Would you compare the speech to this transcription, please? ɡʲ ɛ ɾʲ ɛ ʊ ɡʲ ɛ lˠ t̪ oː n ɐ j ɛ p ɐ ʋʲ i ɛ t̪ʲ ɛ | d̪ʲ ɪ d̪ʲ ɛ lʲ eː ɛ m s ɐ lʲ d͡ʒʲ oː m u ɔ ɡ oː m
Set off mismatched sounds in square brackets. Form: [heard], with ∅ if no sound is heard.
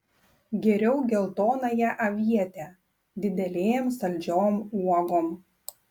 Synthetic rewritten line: ɡʲ ɛ ɾʲ ɛ ʊ ɡʲ ɛ lˠ t̪ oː n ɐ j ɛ [ʔ] ɐ ʋʲ i ɛ t̪ʲ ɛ | d̪ʲ ɪ d̪ʲ ɛ lʲ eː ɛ m s ɐ lʲ d͡ʒʲ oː m u ɔ ɡ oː m